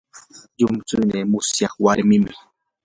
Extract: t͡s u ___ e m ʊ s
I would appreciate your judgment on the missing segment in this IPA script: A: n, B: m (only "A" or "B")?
A